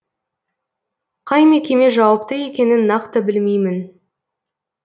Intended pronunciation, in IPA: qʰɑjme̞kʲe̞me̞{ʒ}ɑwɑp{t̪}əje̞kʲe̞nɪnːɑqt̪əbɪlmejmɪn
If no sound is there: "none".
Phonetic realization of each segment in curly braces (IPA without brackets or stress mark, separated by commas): ʒ, t̪